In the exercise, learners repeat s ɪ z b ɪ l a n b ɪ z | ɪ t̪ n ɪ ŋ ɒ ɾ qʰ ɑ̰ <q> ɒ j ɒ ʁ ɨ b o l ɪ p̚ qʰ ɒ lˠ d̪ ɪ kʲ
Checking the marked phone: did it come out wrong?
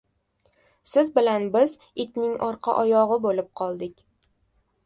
yes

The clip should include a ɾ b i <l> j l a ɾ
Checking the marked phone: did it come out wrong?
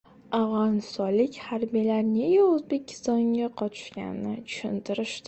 yes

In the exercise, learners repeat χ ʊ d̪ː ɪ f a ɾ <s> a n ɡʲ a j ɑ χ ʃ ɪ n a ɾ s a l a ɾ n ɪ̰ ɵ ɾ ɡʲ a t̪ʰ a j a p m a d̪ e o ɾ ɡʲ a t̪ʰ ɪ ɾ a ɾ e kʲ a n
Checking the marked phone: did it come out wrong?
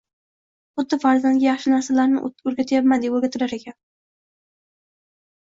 yes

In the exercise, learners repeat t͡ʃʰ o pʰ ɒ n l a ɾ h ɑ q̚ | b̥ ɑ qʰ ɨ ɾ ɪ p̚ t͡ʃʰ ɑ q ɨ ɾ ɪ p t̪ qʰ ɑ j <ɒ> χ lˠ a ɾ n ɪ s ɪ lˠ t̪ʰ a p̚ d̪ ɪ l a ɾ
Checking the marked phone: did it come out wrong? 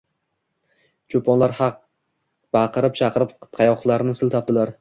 no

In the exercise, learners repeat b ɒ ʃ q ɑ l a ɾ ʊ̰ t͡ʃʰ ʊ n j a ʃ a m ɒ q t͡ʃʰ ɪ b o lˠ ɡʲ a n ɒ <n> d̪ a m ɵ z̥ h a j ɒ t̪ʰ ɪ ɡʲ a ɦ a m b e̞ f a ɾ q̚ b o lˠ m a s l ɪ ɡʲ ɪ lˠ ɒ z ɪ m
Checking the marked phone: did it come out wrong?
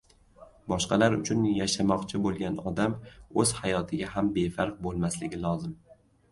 yes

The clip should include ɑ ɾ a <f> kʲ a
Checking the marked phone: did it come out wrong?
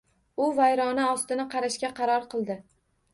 yes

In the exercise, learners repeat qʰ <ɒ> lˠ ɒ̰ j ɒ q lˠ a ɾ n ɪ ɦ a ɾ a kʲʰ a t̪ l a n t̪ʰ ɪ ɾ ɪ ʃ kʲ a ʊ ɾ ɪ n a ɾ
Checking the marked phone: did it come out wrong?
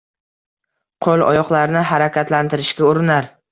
yes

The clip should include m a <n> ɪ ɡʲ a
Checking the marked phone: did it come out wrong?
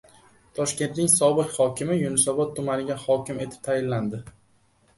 no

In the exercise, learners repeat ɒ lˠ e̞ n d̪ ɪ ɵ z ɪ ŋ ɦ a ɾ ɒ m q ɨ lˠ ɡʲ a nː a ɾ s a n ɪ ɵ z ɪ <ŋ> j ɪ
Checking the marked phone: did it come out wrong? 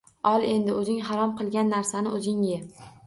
no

